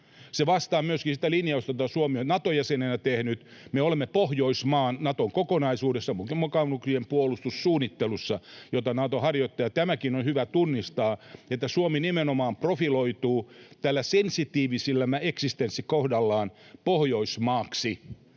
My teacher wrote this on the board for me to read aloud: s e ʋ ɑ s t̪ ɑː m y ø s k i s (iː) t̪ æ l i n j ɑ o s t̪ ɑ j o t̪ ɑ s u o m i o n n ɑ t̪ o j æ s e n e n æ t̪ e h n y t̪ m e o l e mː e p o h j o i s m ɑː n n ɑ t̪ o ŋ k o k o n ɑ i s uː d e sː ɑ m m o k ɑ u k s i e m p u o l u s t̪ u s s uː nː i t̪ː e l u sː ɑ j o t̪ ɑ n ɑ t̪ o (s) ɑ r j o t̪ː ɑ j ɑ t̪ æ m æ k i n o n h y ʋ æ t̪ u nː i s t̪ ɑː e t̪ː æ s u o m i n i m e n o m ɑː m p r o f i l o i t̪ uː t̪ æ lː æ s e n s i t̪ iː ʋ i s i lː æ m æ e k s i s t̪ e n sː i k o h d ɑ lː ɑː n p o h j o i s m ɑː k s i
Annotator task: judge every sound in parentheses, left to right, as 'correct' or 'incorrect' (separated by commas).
incorrect, incorrect